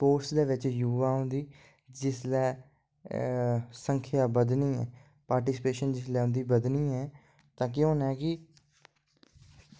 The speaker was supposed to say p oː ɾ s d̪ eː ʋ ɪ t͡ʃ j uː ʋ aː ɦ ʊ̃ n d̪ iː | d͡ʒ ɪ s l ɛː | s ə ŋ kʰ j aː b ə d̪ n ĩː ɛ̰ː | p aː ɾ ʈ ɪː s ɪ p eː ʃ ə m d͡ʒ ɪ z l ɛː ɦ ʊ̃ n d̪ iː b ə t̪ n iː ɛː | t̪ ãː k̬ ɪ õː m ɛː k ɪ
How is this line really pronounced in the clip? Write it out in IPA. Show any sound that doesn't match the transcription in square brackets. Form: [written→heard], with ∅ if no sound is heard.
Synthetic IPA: p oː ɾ s d̪ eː ʋ ɪ t͡ʃ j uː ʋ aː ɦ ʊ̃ n d̪ iː | d͡ʒ ɪ s l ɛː | s ə ŋ kʰ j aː b ə d̪ n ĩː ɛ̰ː | p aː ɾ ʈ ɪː s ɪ p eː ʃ ə [m→n] d͡ʒ ɪ [z→s] l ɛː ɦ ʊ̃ n d̪ iː b ə [t̪→d̪] n iː ɛː | t̪ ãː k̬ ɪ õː [m→n] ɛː k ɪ